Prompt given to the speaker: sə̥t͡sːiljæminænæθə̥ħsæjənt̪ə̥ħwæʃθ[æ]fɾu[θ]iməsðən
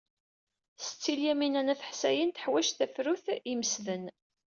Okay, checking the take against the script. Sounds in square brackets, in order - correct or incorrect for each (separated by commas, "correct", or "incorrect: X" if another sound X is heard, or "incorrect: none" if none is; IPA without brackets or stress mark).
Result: correct, correct